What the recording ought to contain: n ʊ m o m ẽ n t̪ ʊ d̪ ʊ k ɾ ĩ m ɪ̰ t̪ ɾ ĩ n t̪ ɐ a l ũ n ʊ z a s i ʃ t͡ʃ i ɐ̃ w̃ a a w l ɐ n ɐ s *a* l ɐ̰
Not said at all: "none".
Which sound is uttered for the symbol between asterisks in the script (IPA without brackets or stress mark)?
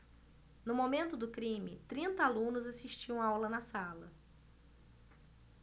a